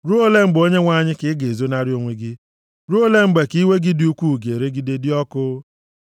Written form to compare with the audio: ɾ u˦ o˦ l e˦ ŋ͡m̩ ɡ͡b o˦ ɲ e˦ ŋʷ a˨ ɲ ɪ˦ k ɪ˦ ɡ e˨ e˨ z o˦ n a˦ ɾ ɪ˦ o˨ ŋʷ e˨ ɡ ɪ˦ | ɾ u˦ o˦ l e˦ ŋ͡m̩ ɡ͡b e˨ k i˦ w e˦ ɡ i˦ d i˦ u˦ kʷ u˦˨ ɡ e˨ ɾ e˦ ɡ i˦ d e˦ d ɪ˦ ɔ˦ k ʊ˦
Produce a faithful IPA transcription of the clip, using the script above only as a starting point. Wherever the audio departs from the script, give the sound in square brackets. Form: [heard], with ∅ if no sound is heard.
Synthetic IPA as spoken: ɾ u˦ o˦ l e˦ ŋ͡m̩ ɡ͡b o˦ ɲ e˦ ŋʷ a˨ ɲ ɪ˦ k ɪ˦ ɡ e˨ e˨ z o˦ n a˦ ɾ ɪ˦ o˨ ŋʷ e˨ ɡ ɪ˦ | ɾ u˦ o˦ l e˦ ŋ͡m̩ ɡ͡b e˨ k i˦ w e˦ ɡ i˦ d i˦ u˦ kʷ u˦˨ ɡ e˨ ɾ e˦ ɡ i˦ d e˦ d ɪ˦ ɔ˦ k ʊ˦

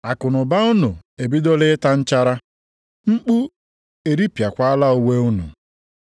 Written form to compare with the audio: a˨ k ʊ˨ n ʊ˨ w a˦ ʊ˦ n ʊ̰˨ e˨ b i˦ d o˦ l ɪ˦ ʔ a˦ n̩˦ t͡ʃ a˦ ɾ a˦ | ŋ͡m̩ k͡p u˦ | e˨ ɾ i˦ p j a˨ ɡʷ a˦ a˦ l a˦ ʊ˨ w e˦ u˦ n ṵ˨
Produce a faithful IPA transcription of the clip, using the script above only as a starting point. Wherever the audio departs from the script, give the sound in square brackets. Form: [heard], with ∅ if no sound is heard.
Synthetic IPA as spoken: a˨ k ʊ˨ n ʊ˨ [b] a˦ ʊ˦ n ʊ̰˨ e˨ b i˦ d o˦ l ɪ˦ [t] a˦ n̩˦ t͡ʃ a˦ ɾ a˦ | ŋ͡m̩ k͡p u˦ | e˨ ɾ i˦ p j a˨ [kʷ] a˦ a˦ l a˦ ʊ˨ w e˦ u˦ n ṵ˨

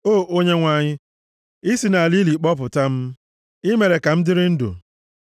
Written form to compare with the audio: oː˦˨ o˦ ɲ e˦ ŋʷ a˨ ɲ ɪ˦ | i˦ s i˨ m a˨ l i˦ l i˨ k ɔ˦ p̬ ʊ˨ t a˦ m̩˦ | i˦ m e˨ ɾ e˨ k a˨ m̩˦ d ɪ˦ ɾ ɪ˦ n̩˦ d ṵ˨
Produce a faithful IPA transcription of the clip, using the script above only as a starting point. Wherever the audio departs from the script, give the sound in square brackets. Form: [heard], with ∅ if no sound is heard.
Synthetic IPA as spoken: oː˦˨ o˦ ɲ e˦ ŋʷ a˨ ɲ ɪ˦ | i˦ s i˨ [n] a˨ l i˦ l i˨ [k͡p] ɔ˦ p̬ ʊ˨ t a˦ m̩˦ | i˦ m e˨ ɾ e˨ k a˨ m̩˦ d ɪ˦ ɾ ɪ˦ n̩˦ d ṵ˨

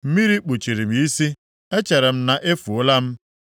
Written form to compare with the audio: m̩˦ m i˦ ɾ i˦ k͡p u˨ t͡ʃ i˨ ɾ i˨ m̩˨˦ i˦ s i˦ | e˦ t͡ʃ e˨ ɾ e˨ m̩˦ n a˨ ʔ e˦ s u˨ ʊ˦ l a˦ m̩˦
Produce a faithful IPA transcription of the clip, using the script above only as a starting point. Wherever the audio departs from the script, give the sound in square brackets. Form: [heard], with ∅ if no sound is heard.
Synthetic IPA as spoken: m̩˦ m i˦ ɾ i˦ k͡p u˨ t͡ʃ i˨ ɾ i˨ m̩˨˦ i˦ s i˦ | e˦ t͡ʃ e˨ ɾ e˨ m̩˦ n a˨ ʔ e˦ [f] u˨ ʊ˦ l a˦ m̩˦

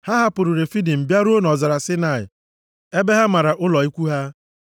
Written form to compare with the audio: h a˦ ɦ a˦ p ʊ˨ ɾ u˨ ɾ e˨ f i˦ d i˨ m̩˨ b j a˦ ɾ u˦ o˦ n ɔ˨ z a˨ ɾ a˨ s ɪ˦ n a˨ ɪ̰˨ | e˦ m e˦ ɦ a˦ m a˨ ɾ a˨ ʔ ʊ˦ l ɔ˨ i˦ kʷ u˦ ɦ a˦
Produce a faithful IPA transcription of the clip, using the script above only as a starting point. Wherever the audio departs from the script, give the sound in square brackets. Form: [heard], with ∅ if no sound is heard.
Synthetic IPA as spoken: h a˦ ɦ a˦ p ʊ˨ ɾ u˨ ɾ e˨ f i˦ d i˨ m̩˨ b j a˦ ɾ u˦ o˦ n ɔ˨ z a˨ ɾ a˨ s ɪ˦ n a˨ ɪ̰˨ | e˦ [b] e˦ ɦ a˦ m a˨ ɾ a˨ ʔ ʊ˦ l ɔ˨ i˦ kʷ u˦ ɦ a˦

